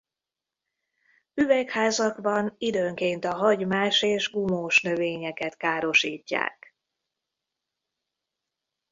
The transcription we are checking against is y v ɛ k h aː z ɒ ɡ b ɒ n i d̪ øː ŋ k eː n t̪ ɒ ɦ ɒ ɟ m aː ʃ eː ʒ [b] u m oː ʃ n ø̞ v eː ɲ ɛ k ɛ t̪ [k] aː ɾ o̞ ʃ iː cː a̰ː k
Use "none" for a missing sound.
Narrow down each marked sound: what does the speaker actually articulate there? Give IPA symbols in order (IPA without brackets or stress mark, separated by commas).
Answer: ɡ, k